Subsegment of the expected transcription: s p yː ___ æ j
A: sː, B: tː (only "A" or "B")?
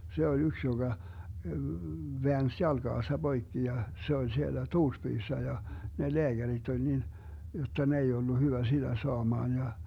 A